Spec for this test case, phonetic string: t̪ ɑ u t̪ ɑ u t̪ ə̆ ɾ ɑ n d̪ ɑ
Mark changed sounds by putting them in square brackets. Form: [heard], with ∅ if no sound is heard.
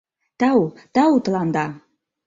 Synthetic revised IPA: t̪ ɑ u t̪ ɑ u t̪ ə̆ [l] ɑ n d̪ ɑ